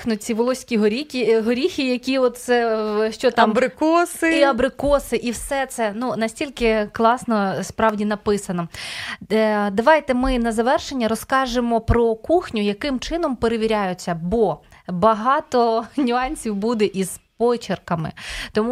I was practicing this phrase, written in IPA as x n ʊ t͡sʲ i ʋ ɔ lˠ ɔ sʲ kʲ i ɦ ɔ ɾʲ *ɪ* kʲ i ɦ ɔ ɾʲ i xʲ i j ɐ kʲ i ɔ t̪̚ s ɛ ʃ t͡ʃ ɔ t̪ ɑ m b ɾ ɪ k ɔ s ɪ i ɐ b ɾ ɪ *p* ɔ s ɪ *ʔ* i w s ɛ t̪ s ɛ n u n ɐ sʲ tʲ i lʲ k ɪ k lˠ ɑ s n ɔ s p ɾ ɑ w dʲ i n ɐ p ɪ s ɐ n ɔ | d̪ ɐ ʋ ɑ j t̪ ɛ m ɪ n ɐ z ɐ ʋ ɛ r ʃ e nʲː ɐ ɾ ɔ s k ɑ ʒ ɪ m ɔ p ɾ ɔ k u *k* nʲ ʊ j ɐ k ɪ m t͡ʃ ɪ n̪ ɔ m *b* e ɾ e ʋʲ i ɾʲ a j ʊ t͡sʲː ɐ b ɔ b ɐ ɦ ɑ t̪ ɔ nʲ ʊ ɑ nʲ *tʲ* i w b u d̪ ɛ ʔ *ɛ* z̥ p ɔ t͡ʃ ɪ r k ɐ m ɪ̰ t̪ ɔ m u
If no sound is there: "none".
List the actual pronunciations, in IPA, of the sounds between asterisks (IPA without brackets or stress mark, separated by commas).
i, k, ʔ, x, p, sʲ, i